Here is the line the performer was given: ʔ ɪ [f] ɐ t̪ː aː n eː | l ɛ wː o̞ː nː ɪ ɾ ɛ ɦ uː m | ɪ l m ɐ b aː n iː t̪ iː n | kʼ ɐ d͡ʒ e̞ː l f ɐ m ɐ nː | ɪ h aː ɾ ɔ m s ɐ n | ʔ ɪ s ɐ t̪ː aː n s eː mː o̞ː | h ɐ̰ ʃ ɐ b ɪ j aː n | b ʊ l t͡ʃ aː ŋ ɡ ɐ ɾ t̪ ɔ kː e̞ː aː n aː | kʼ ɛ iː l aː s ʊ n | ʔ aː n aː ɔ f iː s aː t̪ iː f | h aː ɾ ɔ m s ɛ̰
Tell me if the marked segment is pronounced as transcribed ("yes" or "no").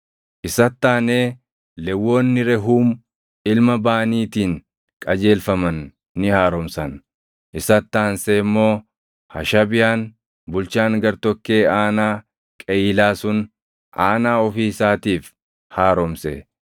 no